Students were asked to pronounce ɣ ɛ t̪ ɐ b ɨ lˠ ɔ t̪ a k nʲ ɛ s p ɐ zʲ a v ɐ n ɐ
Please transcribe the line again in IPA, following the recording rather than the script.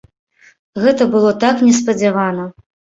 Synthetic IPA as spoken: ɣ ɛ t̪ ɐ b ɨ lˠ ɔ t̪ a k nʲ ɛ s p ɐ d͡zʲ a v a n ɐ